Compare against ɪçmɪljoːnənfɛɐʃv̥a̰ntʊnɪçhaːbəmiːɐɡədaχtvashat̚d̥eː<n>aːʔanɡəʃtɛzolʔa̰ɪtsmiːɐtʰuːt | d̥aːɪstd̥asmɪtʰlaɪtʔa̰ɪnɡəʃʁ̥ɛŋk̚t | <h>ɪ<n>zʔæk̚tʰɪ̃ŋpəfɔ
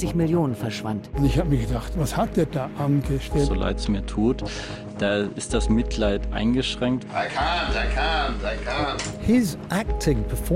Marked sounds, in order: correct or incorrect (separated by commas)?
incorrect, correct, incorrect